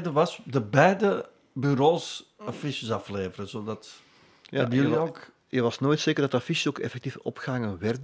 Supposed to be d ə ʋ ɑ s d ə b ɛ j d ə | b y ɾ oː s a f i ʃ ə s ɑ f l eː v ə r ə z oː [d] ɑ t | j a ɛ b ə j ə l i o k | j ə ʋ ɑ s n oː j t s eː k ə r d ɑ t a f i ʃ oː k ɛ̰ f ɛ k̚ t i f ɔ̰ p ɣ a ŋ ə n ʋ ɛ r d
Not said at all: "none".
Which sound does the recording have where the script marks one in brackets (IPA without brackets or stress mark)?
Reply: d